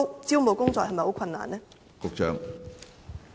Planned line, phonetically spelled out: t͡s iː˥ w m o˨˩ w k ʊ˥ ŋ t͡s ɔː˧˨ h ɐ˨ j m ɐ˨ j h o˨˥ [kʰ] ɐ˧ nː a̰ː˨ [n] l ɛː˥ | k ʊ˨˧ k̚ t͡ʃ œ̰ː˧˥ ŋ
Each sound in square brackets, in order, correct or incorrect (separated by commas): correct, correct